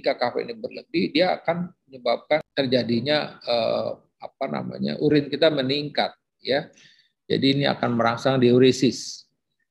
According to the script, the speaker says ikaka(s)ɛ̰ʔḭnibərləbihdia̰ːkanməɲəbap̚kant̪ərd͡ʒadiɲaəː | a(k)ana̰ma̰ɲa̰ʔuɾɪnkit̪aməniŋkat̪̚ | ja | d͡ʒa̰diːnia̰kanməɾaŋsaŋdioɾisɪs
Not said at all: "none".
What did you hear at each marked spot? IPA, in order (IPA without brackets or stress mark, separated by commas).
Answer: f, p